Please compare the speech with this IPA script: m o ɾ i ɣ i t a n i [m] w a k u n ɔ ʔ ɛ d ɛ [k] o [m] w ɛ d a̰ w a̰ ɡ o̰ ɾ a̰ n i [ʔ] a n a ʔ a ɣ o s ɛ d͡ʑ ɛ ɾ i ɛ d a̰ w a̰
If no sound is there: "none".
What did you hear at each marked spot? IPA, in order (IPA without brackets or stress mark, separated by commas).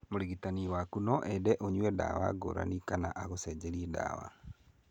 none, ʔ, ɲ, k